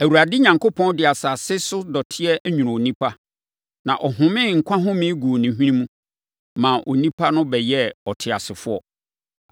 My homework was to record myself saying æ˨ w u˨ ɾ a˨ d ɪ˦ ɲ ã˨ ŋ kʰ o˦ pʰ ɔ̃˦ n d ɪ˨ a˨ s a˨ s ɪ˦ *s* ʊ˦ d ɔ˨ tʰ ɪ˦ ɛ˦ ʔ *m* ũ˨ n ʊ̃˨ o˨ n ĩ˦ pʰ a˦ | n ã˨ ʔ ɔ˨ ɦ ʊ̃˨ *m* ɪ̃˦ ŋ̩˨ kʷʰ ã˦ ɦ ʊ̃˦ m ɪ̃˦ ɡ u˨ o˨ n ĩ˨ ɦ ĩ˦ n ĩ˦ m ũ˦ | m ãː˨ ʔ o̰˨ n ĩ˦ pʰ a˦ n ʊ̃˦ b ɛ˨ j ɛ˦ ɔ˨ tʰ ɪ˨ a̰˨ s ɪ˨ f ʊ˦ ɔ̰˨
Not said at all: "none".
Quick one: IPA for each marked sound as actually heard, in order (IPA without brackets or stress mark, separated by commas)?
s, ɲ, m